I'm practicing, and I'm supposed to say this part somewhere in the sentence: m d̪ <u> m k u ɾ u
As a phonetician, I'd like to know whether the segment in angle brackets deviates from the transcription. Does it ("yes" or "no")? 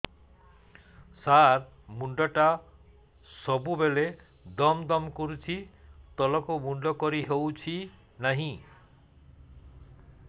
yes